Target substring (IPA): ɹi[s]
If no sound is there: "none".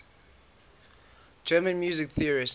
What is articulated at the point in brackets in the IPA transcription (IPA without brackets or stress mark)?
s